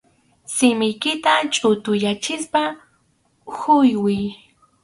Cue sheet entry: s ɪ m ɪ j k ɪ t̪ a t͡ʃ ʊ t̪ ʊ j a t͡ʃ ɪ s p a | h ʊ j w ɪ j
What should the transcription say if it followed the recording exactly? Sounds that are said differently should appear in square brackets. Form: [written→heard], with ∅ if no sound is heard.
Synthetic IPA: s ɪ m ɪ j k ɪ t̪ a [t͡ʃ→t͡ʃʼ] ʊ t̪ ʊ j a t͡ʃ ɪ s p a | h ʊ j w ɪ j